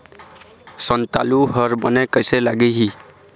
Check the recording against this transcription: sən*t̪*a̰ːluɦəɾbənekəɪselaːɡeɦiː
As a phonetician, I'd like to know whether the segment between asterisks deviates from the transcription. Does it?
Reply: no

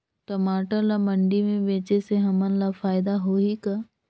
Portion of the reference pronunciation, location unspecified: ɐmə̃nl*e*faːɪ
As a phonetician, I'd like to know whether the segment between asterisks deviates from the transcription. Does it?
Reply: yes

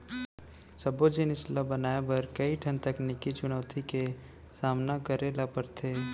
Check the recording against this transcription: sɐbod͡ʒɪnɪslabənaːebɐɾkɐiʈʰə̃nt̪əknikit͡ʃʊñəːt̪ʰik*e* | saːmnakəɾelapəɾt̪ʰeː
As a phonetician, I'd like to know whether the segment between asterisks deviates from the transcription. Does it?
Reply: no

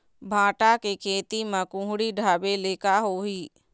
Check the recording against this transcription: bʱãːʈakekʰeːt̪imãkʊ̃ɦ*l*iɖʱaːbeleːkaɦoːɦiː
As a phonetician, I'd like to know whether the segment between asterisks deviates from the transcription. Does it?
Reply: yes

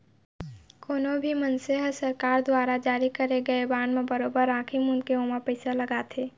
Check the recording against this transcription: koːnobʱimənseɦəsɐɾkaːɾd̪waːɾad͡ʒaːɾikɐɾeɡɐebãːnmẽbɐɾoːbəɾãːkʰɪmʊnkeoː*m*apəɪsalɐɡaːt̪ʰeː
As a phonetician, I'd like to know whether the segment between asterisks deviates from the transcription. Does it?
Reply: no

